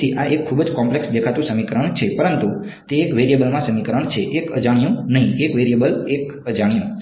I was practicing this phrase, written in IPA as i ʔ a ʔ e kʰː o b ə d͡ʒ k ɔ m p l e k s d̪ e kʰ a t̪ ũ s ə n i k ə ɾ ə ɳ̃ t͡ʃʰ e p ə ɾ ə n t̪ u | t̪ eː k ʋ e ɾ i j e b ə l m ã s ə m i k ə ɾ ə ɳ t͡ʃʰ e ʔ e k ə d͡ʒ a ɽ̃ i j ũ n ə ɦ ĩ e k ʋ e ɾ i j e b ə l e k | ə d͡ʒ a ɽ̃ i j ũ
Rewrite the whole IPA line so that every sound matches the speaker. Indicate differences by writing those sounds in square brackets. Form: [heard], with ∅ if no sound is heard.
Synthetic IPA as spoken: i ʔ a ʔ e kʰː [u] b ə d͡ʒ k ɔ m p l e k s d̪ e kʰ a t̪ ũ s ə [m] i k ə ɾ ə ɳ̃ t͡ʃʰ e p ə ɾ ə n t̪ u | t̪ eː k ʋ e ɾ i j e b ə l m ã s ə m i k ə ɾ ə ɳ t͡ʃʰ e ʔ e k ə d͡ʒ a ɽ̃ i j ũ n ə ɦ ĩ e k ʋ e ɾ i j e b ə l e k | ə d͡ʒ a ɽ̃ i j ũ